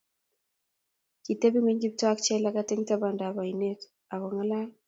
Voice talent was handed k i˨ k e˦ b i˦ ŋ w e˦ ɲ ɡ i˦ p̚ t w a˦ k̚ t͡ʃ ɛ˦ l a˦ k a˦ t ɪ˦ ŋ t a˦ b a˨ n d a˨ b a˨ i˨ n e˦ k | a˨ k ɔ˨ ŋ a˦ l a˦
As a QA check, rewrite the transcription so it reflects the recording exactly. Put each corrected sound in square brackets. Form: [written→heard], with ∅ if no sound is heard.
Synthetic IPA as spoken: k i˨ [k→t] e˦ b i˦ ŋ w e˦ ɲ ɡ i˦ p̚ t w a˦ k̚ t͡ʃ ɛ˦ l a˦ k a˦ t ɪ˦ ŋ t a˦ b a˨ n d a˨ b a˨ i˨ n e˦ k | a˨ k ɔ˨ ŋ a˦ l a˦